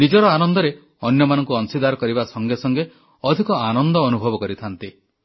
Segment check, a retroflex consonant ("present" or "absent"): absent